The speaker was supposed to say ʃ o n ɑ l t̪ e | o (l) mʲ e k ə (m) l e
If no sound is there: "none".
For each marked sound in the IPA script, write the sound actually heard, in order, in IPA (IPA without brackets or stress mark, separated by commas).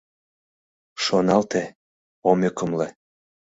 none, m